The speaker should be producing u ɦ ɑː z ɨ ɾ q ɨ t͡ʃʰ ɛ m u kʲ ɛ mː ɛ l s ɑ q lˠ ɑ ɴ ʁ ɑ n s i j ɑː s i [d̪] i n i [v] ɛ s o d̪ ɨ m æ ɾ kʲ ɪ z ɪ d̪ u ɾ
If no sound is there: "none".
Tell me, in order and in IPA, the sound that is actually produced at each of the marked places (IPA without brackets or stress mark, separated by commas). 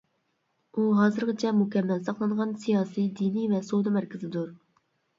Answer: d̪, v